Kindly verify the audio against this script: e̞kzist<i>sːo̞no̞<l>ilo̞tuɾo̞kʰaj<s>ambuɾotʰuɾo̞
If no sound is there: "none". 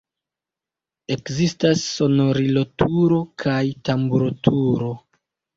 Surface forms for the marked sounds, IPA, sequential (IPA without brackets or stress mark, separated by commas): a, ɾ, t